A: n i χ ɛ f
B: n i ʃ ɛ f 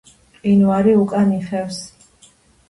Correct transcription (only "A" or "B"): A